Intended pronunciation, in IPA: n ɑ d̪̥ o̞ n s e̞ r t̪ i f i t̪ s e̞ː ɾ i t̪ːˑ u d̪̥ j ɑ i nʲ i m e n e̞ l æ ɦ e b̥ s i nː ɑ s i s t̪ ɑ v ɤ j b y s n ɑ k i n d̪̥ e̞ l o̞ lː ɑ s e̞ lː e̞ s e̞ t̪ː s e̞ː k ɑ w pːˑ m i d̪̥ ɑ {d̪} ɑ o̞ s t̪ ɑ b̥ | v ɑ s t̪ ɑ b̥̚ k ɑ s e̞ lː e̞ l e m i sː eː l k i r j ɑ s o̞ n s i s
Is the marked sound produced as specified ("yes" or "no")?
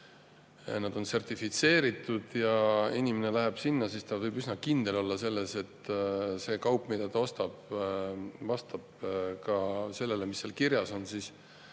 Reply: no